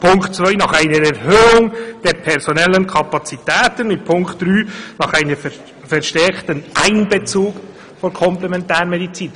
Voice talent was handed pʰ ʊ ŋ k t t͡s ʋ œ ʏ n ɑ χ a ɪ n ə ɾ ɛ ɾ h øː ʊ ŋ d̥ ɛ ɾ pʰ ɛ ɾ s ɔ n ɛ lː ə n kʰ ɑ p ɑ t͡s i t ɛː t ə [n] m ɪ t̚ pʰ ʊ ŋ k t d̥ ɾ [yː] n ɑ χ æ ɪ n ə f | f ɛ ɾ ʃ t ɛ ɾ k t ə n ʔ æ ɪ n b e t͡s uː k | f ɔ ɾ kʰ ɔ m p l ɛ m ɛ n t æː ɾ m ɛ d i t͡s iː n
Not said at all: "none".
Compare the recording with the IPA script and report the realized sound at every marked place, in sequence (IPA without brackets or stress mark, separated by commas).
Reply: n, yː